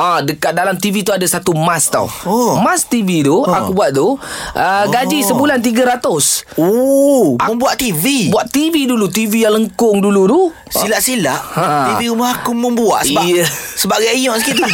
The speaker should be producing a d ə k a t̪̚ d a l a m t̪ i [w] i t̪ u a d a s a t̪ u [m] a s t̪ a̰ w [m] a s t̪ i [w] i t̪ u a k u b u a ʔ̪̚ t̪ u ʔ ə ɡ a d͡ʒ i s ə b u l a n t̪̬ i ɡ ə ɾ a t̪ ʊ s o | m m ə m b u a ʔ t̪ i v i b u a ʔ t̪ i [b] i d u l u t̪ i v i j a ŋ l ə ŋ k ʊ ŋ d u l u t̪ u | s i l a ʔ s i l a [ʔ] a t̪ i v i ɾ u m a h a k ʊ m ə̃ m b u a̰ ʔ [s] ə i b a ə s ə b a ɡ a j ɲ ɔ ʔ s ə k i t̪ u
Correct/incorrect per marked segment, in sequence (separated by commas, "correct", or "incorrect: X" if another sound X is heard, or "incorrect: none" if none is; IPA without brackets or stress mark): incorrect: v, correct, correct, incorrect: v, incorrect: v, correct, correct